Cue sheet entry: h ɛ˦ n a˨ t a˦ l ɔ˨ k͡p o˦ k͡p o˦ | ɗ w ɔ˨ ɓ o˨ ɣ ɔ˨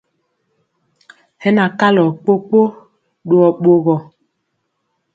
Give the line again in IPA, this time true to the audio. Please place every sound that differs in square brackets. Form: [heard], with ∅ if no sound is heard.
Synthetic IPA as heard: h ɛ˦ n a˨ [k] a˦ l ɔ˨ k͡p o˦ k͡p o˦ | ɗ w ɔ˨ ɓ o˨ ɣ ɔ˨